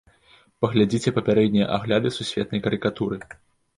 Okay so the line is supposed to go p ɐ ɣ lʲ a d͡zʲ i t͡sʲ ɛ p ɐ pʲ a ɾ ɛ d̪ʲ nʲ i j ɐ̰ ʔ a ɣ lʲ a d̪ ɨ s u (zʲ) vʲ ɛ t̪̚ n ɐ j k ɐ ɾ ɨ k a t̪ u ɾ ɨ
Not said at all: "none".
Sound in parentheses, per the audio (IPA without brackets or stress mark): sʲ